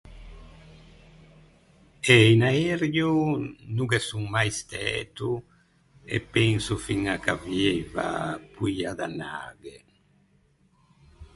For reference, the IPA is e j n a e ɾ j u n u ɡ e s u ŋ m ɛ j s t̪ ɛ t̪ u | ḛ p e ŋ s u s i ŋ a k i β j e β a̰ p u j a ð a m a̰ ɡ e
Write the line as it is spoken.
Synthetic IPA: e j n a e ɾ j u n u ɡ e s u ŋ m a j s t̪ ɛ t̪ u | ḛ p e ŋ s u f i ŋ a k a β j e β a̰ p u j a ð a n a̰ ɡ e